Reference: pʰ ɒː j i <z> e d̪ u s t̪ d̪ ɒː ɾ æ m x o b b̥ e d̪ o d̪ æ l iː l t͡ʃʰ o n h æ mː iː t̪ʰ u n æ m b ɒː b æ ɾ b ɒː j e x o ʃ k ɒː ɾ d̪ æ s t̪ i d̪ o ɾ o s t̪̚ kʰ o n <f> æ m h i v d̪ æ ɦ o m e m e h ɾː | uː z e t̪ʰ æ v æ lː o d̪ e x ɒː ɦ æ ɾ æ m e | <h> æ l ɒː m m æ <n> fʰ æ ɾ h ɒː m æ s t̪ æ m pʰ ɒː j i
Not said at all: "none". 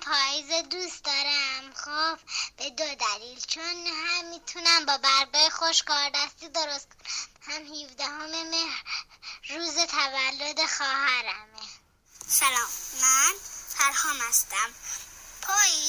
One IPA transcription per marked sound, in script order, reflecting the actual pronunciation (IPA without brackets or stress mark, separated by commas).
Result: z, h, s, n